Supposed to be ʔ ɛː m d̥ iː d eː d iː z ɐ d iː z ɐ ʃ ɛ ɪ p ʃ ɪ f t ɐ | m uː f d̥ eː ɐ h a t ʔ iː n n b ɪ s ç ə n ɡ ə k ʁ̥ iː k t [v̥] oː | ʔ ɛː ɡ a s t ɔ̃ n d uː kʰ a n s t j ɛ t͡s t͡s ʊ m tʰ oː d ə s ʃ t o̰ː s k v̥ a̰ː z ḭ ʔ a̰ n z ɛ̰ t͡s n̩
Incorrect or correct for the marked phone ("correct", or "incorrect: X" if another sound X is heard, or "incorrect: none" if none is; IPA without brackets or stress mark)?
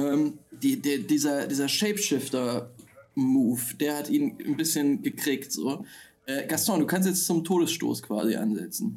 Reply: incorrect: z̥